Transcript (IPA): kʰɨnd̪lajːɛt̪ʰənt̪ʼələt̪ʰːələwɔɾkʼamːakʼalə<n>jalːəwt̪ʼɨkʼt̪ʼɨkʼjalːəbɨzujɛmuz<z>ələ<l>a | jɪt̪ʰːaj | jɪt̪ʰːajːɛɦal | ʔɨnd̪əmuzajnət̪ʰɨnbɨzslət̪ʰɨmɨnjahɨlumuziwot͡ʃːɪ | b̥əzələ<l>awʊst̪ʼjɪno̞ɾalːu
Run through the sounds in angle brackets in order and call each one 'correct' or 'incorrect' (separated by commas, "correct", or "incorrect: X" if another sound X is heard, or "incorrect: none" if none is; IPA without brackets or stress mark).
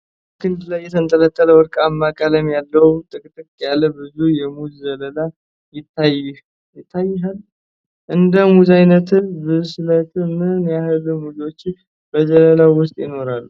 incorrect: m, correct, correct, correct